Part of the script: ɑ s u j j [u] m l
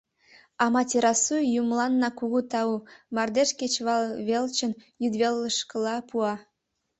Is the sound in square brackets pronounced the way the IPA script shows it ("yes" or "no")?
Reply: yes